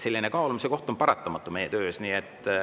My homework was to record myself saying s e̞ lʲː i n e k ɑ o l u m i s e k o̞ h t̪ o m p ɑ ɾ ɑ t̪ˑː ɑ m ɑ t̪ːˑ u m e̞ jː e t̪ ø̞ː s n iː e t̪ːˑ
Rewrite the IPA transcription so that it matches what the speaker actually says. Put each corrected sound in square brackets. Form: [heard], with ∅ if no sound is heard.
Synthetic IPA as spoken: s e̞ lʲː i n e k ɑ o l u m i s e k o̞ h t̪ o m p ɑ ɾ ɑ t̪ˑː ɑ m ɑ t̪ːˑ u m e̞ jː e t̪ ø̞ː s n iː e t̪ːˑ